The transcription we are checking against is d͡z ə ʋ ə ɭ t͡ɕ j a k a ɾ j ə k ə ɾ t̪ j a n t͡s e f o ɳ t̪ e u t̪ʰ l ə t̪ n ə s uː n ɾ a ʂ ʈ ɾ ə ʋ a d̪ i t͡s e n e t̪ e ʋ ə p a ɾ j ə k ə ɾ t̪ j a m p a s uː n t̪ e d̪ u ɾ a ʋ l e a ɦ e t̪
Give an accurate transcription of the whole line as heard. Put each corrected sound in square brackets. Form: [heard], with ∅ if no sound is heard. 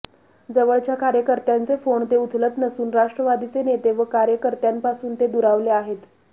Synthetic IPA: d͡z ə ʋ ə ɭ t͡ɕ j a k a ɾ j ə k ə ɾ t̪ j a n t͡s e f o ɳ t̪ e u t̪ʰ l ə t̪ n ə s uː n ɾ a ʂ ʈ ɾ ə ʋ a d̪ i t͡s e n e t̪ e ʋ ə [k] a ɾ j ə k ə ɾ t̪ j a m p a s uː n t̪ e d̪ u ɾ a ʋ l e a ɦ e t̪